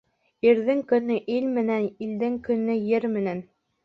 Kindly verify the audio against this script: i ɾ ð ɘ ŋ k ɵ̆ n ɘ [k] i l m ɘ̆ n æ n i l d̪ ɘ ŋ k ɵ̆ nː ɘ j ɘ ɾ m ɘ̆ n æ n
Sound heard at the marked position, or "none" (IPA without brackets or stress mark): ʔ